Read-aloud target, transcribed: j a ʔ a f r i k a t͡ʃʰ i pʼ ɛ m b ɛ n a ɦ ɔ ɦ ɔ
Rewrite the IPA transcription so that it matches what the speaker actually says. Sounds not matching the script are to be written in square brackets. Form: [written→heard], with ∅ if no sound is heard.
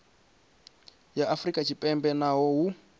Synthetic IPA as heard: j a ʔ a f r i [k→kʼ] a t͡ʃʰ i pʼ ɛ m b ɛ n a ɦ ɔ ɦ [ɔ→u]